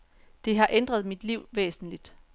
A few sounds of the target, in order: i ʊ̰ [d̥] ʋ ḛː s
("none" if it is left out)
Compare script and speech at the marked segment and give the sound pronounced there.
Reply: none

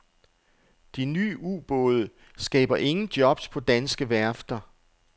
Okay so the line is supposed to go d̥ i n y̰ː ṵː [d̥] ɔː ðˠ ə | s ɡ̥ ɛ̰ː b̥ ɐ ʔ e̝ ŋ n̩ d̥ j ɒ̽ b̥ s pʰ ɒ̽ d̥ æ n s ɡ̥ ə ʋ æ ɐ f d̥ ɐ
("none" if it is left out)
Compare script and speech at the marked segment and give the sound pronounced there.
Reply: b̥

